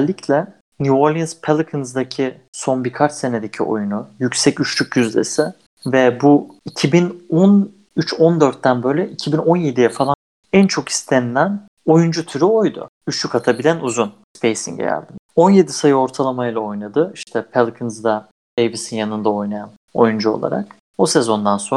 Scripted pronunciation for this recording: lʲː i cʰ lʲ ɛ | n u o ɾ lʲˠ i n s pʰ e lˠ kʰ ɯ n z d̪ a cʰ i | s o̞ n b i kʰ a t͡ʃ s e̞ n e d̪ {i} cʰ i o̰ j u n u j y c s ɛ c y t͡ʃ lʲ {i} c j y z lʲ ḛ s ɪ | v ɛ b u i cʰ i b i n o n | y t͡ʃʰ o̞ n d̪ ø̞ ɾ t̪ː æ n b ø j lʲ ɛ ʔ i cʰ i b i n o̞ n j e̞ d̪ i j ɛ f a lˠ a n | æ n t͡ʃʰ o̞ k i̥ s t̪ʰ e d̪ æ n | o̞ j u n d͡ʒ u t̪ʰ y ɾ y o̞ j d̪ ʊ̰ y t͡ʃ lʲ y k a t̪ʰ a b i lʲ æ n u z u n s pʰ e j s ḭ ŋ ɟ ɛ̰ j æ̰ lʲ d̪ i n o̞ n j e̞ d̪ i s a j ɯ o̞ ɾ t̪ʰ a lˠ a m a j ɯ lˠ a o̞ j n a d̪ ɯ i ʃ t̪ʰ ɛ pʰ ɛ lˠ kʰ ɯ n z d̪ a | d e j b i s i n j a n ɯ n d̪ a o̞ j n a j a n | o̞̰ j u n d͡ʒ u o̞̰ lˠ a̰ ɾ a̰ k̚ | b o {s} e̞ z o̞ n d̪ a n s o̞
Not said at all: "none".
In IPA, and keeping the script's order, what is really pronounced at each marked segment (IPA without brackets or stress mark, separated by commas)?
e, y, s